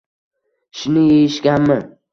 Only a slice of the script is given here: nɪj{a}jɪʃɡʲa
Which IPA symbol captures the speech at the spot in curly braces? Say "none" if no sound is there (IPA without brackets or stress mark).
e